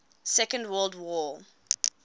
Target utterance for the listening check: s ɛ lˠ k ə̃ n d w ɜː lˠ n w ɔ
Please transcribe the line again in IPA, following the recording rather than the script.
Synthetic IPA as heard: s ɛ k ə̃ n d w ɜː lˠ d w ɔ